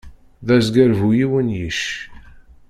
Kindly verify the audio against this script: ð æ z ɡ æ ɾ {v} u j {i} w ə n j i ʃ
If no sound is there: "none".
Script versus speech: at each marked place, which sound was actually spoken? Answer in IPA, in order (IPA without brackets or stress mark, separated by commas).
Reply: v, i